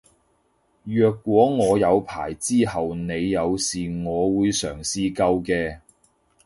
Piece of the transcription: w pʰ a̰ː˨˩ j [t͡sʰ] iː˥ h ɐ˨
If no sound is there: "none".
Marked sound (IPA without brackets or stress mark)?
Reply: t͡s